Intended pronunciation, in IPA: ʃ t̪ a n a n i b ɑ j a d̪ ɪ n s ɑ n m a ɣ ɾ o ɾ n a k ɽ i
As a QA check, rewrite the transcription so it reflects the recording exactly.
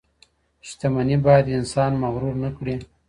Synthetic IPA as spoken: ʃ t̪ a m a n i b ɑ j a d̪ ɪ n s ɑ n m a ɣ ɾ u ɾ n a k ɽ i